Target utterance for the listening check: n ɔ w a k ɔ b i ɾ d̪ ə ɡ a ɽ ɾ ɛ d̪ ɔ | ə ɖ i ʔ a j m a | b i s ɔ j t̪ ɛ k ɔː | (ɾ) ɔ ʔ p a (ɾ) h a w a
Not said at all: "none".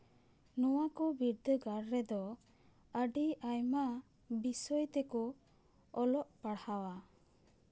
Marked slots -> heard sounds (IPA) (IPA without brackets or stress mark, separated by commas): l, ɽ